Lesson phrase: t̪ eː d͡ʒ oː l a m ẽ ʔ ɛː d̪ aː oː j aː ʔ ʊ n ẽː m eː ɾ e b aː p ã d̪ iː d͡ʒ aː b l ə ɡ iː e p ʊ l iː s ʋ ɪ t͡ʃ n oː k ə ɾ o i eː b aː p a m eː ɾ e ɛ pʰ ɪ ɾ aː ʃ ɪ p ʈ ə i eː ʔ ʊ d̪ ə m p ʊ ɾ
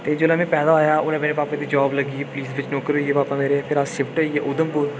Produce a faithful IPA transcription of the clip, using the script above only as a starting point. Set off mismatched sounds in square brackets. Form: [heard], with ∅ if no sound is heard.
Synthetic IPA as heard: t̪ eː d͡ʒ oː l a m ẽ [p] ɛː d̪ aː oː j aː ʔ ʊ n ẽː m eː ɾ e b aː p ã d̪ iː d͡ʒ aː b l ə ɡ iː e p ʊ l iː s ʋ ɪ t͡ʃ n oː k ə ɾ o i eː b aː p a m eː ɾ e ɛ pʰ ɪ ɾ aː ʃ ɪ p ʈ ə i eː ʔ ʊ d̪ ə m p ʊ ɾ